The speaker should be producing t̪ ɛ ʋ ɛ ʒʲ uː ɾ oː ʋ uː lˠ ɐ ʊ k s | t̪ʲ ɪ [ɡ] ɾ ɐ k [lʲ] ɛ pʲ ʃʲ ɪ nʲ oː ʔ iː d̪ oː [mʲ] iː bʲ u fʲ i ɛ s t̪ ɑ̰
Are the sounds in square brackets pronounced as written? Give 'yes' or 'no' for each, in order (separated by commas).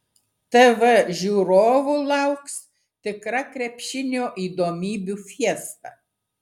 no, no, yes